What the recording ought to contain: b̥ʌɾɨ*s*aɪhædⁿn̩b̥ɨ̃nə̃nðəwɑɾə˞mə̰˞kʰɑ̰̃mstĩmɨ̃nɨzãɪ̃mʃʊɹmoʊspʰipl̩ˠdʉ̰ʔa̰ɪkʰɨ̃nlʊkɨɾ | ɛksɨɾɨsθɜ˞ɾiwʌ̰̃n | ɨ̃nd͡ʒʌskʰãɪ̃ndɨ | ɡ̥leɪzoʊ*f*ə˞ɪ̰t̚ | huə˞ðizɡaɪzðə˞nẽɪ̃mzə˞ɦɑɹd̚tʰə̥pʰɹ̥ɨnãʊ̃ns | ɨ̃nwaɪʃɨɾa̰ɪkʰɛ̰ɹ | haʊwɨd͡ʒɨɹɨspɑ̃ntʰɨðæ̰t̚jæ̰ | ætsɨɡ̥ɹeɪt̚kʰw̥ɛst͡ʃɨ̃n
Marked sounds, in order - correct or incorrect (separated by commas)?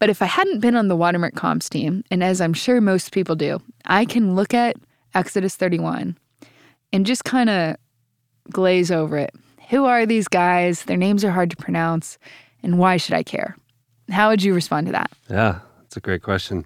incorrect, incorrect